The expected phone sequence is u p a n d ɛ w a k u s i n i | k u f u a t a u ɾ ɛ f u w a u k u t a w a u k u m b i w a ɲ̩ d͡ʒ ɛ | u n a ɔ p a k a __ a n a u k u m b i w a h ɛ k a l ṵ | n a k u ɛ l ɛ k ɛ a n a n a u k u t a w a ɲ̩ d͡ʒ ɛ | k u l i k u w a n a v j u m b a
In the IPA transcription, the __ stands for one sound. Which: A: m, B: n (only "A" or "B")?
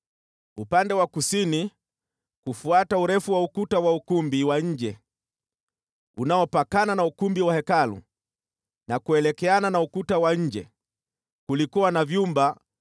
B